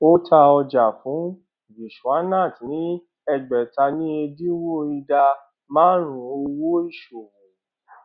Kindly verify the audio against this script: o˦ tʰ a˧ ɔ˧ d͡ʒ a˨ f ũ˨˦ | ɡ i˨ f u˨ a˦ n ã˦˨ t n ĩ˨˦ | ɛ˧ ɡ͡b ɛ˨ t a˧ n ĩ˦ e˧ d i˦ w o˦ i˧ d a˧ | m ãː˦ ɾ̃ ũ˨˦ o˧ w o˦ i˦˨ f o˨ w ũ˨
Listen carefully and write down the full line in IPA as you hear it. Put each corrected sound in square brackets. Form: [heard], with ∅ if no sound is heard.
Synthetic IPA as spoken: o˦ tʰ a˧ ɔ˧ d͡ʒ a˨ f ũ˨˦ | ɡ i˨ [ʃ] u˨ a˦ n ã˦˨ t n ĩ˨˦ | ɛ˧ ɡ͡b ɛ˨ t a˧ n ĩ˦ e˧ d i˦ w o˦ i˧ d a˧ | m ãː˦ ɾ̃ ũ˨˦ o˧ w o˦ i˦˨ [ʃ] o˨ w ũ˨